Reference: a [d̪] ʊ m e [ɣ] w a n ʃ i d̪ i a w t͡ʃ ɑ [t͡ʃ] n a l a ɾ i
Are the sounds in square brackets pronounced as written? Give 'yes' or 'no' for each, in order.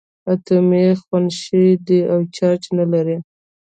no, no, yes

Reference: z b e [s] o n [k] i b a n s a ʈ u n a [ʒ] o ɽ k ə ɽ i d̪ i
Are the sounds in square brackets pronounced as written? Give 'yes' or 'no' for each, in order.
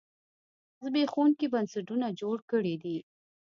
no, yes, no

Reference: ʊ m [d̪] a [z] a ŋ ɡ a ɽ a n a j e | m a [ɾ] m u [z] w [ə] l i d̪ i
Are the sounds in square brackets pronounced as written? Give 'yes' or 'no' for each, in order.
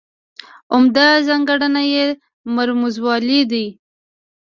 yes, yes, yes, yes, no

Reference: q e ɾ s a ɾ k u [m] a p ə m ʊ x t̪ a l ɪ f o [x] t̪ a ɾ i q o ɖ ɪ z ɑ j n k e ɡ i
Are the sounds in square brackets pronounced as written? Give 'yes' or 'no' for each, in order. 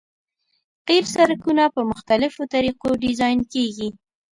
no, no

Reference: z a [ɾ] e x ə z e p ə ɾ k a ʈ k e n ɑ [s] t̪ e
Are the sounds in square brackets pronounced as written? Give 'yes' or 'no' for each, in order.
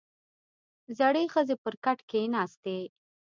no, yes

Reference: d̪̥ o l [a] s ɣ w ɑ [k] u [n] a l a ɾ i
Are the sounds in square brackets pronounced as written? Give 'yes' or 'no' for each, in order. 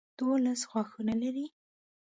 yes, no, yes

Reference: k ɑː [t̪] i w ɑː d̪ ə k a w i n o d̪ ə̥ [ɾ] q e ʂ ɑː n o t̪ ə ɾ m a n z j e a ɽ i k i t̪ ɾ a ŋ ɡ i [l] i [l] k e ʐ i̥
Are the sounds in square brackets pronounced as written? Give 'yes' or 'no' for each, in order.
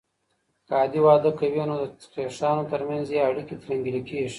no, no, yes, no

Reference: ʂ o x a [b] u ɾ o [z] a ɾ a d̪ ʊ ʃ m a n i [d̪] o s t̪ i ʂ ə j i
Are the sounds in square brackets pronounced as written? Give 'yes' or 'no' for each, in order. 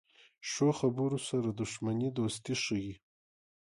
yes, no, yes

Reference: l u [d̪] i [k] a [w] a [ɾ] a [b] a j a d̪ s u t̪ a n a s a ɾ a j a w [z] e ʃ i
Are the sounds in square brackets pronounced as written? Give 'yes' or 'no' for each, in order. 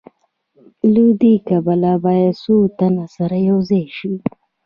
yes, yes, no, no, yes, yes

